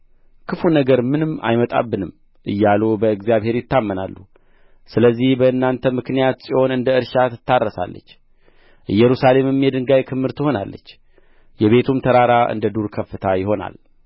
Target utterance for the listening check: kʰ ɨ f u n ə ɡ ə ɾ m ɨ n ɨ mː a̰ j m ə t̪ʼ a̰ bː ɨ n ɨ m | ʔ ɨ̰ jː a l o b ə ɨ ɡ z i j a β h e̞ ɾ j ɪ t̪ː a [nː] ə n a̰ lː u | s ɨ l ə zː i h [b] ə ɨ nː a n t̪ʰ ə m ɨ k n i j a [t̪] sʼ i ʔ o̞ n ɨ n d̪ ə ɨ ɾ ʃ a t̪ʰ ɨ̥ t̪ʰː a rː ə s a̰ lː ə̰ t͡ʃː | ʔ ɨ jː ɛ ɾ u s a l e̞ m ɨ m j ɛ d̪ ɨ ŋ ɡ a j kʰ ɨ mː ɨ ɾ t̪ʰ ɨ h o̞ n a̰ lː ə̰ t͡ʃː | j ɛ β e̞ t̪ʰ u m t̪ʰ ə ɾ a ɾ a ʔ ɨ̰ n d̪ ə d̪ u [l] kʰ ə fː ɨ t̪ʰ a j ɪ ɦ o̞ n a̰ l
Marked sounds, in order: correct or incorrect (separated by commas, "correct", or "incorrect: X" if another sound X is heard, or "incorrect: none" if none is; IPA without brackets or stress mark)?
incorrect: mː, correct, correct, incorrect: ɾ